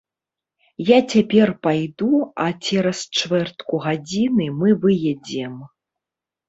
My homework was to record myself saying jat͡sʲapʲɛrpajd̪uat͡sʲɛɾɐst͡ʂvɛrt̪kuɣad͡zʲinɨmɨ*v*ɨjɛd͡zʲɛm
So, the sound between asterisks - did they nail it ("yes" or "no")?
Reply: yes